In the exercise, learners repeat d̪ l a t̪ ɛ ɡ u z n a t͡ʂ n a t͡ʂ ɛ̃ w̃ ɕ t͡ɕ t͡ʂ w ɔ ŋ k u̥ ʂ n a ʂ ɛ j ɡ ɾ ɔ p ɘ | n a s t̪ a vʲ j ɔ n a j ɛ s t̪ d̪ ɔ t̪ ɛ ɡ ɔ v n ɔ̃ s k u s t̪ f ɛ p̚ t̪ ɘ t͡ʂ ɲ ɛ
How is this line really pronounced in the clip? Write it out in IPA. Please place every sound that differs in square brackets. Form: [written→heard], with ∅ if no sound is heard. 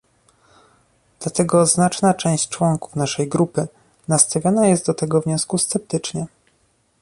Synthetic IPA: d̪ l a t̪ ɛ ɡ [u→ɔ] z n a t͡ʂ n a t͡ʂ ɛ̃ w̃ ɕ t͡ɕ t͡ʂ w ɔ ŋ k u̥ [ʂ→f] n a ʂ ɛ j ɡ ɾ [ɔ→u] p ɘ | n a s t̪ a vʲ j ɔ n a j ɛ s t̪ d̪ ɔ t̪ ɛ ɡ ɔ v [n→ɲ] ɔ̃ s k u s t̪ [f→s] ɛ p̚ t̪ ɘ t͡ʂ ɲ ɛ